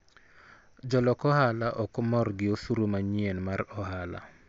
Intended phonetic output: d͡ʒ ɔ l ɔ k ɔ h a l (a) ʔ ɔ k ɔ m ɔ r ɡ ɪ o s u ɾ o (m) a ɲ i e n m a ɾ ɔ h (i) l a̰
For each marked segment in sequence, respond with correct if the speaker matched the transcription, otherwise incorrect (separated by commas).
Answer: correct, correct, incorrect